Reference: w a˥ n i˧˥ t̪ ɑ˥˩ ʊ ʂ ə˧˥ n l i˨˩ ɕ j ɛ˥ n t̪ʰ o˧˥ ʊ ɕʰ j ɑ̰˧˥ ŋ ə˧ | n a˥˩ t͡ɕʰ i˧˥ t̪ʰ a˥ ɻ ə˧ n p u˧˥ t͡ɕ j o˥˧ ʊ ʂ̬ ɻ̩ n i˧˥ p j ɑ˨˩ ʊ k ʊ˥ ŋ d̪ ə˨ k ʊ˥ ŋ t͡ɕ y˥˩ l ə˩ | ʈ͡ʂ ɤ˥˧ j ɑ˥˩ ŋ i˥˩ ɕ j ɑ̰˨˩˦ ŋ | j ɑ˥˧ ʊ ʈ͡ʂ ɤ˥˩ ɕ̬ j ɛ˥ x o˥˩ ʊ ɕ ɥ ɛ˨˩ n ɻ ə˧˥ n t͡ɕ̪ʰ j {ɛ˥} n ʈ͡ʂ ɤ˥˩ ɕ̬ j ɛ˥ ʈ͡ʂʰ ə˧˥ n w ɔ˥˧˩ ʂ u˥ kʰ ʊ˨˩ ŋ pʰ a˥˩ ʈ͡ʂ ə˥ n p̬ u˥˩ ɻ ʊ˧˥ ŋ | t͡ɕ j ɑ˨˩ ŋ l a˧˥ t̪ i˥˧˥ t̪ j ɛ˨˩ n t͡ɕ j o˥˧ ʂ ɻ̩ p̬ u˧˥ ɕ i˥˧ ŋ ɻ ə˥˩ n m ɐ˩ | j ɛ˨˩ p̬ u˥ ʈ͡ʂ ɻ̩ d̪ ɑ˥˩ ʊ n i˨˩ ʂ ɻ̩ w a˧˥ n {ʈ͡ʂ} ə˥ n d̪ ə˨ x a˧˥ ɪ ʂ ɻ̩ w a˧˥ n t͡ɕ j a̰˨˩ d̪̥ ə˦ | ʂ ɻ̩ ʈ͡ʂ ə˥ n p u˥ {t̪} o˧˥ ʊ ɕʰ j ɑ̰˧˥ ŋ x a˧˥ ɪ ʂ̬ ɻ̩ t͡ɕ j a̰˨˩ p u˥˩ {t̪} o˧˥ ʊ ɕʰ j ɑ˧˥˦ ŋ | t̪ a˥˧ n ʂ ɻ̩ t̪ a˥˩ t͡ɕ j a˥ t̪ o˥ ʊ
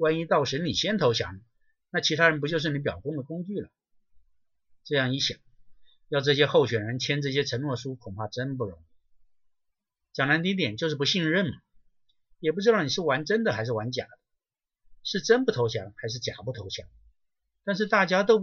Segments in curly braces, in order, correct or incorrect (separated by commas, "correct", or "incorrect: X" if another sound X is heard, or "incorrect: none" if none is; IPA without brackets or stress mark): correct, correct, incorrect: t̪ʰ, incorrect: t̪ʰ